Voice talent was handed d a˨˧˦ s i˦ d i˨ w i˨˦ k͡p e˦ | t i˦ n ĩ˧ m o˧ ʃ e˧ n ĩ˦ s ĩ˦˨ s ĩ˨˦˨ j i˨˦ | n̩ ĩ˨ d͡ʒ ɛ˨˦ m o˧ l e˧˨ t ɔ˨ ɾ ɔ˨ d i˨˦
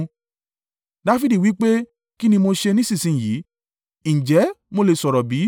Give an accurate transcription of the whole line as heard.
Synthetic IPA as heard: d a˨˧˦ f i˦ d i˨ w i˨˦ k͡p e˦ | k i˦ n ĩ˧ m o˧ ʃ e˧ n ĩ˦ s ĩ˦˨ s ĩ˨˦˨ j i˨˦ | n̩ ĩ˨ d͡ʒ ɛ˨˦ m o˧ l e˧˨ s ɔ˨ ɾ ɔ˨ b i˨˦